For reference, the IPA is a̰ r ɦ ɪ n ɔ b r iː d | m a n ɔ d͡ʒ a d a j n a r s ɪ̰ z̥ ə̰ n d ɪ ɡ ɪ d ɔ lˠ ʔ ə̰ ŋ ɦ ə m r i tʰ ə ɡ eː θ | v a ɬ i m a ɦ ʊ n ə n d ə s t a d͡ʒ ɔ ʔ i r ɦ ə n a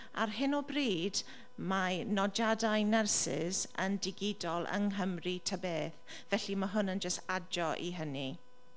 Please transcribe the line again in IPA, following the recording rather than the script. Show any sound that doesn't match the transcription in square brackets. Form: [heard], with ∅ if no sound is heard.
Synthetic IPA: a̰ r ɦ ɪ n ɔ b r iː d | m a n ɔ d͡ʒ a d a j n [ɛ] r s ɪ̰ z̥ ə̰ n d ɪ ɡ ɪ d ɔ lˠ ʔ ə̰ ŋ ɦ ə m r i tʰ ə [b] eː θ | v [ɛ] ɬ i m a ɦ ʊ n ə n [d͡ʒ] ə s t a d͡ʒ ɔ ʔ i [∅] ɦ ə n [i]